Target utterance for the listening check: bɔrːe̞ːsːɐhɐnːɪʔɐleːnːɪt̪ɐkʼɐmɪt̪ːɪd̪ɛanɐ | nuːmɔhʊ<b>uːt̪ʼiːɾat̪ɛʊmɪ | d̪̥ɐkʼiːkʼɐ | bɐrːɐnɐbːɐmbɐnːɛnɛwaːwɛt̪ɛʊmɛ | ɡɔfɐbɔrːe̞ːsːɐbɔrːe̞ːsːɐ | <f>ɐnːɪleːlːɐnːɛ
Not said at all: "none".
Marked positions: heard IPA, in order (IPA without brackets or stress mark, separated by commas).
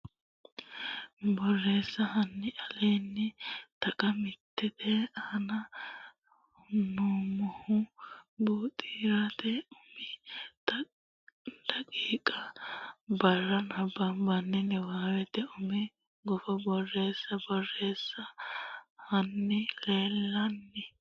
b, h